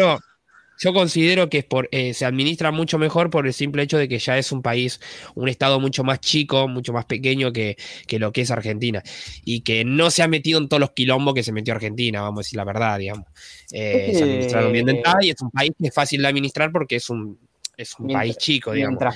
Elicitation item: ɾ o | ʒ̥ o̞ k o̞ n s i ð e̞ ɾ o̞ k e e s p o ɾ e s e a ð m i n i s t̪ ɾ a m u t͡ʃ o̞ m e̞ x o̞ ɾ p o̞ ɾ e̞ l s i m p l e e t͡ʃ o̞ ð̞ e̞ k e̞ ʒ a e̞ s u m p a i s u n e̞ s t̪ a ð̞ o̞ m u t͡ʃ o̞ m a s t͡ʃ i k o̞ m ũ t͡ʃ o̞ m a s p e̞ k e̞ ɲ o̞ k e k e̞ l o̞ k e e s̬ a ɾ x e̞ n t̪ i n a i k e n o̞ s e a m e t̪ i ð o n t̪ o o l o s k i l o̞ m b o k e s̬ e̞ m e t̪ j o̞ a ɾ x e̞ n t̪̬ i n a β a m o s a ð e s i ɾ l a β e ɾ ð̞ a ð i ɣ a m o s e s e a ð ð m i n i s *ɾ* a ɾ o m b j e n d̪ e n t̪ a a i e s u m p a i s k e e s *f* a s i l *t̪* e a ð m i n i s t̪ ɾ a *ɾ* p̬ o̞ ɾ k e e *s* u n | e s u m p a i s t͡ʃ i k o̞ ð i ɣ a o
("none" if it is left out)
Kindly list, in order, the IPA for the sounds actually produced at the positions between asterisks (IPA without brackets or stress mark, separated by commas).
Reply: ɾ, f, d̪, ɾ, s